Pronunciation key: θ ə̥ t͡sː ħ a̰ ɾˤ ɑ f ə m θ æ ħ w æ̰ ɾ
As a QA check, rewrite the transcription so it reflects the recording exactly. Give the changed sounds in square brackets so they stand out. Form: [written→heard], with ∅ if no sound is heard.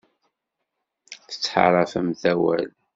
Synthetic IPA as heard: θ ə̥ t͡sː ħ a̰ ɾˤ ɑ f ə m θ æ [ħ→∅] w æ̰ [ɾ→l]